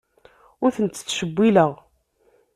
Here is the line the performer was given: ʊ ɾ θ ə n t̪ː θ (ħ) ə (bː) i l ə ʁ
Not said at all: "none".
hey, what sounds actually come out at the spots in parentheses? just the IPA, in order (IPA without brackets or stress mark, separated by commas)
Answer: ʃ, bː